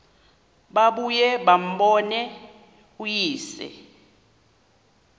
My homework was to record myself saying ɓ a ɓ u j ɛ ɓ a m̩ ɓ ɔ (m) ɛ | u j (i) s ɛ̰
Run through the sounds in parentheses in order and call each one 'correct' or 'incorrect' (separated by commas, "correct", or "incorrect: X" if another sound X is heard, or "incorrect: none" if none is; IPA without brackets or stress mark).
incorrect: n, incorrect: iː